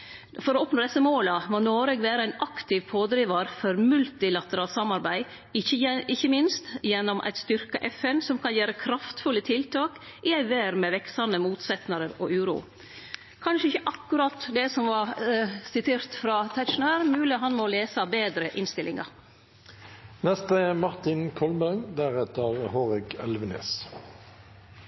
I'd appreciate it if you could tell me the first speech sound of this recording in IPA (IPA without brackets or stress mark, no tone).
f